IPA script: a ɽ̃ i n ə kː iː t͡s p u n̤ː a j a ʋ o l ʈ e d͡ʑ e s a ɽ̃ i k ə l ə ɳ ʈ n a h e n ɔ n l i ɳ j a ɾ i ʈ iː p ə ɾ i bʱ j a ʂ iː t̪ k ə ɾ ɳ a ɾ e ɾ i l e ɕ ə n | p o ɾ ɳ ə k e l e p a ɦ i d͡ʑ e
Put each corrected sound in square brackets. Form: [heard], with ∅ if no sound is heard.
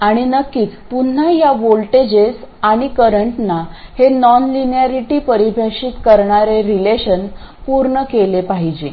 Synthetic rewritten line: a ɽ̃ i n ə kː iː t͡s p u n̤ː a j a ʋ o l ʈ e d͡ʑ e s a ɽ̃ i k ə [ɾ] ə ɳ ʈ n a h e n ɔ n l i [n] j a ɾ i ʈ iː p ə ɾ i bʱ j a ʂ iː t̪ k ə ɾ ɳ a ɾ e ɾ i l e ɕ ə n | p [u] ɾ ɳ ə k e l e p a ɦ i d͡ʑ e

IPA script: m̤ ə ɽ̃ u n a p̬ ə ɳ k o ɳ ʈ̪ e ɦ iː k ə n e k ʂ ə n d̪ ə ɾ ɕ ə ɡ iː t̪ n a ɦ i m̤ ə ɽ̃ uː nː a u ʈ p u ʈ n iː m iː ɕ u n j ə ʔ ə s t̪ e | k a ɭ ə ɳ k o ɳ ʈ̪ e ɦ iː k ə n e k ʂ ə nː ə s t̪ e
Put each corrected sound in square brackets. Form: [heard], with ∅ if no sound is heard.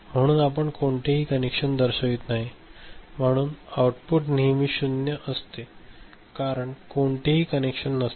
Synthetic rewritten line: m̤ ə ɽ̃ [uː] n a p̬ ə ɳ k o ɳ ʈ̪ e ɦ iː k ə n e k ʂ ə n d̪ ə ɾ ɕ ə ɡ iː t̪ n a ɦ i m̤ ə ɽ̃ uː [n] a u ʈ p u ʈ n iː m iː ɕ u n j ə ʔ ə s t̪ e | k a [ɾ] ə ɳ k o ɳ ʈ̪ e ɦ iː k ə n e k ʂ ə nː ə s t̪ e

